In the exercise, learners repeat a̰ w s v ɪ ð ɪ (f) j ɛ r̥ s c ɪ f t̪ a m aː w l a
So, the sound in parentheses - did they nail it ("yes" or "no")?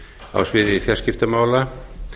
yes